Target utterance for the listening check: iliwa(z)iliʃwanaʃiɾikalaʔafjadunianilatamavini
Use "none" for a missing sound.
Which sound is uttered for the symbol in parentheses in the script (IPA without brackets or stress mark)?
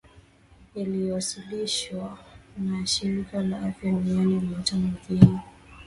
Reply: s